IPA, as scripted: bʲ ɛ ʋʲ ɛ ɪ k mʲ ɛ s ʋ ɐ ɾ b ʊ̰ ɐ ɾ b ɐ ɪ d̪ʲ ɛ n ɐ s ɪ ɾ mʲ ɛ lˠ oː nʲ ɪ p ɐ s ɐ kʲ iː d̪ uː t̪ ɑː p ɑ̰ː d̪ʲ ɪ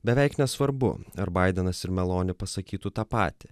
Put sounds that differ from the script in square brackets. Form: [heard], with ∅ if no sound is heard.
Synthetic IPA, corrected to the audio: bʲ ɛ ʋʲ ɛ ɪ k [nʲ] ɛ s ʋ ɐ ɾ b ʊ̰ ɐ ɾ b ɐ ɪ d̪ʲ ɛ n ɐ s ɪ ɾ mʲ ɛ lˠ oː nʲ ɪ p ɐ s ɐ kʲ iː [t̪] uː t̪ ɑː p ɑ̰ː [t̪ʲ] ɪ